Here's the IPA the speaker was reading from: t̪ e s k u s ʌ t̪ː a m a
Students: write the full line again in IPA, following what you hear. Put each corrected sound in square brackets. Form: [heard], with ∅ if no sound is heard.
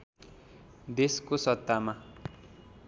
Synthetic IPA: [d̪] e s k [o] s ʌ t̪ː a m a